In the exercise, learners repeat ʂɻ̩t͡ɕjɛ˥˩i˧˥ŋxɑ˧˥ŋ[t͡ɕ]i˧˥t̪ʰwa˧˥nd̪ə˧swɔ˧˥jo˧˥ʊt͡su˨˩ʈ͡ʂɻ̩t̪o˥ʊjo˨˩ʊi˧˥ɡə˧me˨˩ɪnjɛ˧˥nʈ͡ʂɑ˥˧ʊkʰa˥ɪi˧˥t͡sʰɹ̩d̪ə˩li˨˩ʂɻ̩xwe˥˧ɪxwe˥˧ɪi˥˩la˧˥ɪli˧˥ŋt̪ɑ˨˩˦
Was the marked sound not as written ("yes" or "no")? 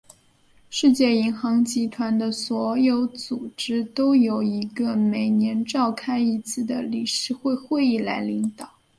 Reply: no